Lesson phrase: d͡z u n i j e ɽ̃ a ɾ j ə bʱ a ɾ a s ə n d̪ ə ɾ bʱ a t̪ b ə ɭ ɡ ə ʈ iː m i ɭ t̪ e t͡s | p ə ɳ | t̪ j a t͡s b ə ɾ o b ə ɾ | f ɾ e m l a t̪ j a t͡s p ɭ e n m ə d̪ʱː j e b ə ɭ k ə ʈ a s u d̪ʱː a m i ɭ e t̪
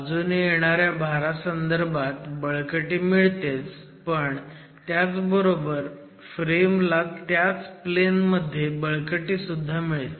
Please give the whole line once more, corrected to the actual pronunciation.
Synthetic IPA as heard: d͡z u n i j e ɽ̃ a ɾ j a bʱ a ɾ a s ə n d̪ ə ɾ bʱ a t̪ b ə ɭ k ə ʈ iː m i ɭ t̪ e t͡s | p ə ɳ | t̪ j a t͡s b ə ɾ o b ə ɾ | f ɾ e m l a t̪ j a t͡s p l e n m ə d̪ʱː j e b ə ɭ k ə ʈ i s u d̪ʱː a m i ɭ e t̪